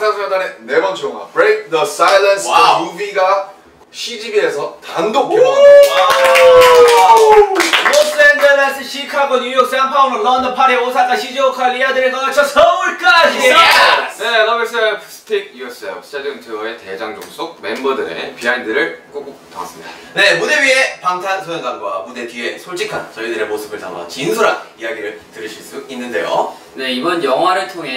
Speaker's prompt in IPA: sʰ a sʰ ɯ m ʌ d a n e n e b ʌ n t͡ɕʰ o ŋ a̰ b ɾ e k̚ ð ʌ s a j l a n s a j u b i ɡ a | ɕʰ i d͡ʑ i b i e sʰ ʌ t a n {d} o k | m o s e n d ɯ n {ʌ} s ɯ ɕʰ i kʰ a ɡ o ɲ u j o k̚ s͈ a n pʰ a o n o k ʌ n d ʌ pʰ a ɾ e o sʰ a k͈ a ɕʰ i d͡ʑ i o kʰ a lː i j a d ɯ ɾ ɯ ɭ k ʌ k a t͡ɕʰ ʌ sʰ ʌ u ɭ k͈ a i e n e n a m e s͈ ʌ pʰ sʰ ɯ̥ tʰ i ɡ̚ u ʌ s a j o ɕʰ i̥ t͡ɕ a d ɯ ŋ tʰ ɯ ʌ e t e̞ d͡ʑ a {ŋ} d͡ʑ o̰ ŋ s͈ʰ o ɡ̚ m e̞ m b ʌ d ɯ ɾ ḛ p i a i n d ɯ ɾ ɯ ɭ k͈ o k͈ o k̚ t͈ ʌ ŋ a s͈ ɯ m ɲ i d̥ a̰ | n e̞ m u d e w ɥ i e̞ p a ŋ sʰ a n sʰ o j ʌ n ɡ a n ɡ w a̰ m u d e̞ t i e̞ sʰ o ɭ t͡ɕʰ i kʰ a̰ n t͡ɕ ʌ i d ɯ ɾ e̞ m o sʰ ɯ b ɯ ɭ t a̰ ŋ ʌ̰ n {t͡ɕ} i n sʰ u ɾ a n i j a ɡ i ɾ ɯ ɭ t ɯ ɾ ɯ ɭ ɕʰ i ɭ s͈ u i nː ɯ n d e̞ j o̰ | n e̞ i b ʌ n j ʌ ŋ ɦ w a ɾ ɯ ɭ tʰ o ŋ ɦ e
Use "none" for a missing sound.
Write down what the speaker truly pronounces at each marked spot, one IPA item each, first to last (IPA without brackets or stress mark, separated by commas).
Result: d, a, ŋ, t͡ɕ